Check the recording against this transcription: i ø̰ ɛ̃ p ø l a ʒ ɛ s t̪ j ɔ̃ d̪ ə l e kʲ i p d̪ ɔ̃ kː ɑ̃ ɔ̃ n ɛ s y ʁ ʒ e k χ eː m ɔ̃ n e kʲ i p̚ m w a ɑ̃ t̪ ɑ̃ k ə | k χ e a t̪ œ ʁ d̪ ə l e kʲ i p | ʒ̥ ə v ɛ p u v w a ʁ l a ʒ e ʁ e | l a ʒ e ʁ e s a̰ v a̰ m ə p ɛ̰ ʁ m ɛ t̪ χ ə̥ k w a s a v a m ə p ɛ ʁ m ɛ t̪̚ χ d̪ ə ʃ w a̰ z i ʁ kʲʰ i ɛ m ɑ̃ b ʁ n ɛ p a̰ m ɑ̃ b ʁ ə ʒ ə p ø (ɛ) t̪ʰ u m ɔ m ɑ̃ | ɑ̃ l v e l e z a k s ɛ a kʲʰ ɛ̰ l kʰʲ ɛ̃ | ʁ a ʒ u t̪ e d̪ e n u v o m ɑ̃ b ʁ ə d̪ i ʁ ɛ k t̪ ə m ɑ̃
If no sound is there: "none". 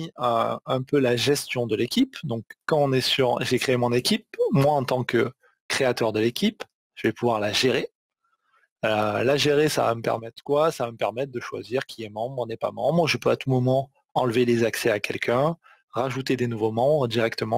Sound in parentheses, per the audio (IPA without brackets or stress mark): a